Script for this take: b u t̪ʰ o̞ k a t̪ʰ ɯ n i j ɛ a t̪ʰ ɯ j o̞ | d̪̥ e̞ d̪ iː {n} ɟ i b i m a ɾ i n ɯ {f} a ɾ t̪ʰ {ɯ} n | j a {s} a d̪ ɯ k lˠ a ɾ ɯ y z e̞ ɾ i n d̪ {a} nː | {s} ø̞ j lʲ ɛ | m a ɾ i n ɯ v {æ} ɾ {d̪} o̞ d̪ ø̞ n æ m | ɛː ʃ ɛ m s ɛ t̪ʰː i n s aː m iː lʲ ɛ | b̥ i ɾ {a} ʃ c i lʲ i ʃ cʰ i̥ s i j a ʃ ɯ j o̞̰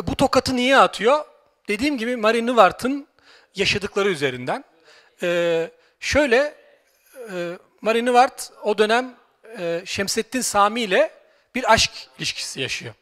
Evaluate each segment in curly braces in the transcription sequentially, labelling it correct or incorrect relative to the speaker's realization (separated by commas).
incorrect, incorrect, correct, incorrect, incorrect, incorrect, incorrect, incorrect, correct